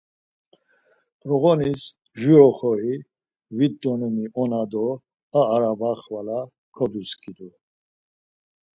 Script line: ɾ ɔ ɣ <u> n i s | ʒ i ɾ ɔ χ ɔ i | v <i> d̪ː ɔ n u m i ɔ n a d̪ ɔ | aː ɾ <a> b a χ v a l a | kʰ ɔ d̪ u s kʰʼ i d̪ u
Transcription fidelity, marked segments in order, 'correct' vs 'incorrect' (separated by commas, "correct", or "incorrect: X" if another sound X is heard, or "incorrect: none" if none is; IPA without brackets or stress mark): incorrect: ɔ, correct, correct